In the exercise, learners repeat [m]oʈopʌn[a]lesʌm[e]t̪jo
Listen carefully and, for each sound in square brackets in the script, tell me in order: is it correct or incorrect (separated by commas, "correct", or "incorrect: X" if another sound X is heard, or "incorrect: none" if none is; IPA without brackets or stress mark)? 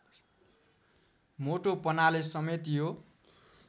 correct, correct, correct